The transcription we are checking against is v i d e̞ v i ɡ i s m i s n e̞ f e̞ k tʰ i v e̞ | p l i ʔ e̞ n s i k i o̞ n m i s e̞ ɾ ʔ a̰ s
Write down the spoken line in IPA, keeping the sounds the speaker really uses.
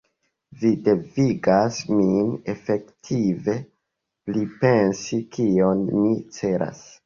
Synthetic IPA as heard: v i d e̞ v i ɡ a s m i n e̞ f e̞ k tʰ i v e̞ | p l i p e̞ n s i k i o̞ n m i t͡s e̞ ɾ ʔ a̰ s